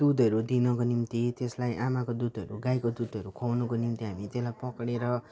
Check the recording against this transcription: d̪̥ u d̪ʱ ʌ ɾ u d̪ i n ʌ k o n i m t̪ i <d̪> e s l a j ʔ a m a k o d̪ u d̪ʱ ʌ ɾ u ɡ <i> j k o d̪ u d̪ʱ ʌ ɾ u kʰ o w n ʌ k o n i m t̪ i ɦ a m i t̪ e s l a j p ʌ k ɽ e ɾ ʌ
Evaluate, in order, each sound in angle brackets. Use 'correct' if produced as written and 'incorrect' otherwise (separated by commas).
incorrect, incorrect